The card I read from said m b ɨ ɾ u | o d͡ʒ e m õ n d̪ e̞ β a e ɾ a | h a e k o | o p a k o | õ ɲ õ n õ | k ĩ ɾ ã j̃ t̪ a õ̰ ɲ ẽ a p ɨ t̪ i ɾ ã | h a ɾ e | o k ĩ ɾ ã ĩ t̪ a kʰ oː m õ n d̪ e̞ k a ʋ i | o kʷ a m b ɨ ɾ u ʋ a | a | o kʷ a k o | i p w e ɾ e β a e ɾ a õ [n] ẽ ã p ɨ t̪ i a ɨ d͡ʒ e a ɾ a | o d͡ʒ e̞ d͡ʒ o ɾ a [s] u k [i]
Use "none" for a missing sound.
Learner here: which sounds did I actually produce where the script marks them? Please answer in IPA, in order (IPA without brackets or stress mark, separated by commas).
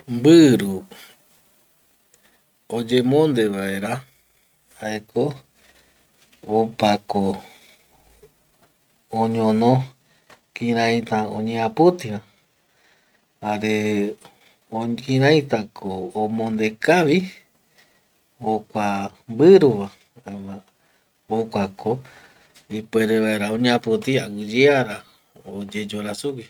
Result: ɲ, s, i